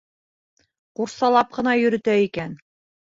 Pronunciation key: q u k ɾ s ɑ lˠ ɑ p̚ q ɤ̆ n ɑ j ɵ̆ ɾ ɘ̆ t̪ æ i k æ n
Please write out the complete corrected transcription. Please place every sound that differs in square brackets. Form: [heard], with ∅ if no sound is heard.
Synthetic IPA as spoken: q u [∅] ɾ s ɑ lˠ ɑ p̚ q ɤ̆ n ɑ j ɵ̆ ɾ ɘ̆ t̪ æ i k æ n